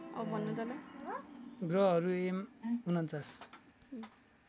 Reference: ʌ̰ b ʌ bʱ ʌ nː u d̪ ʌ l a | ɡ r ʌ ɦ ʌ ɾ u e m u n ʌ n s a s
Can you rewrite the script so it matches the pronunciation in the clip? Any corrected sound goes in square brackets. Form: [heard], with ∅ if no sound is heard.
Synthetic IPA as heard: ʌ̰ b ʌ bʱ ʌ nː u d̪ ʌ l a | ɡ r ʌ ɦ ʌ ɾ u e m u n ʌ n [t͡s] a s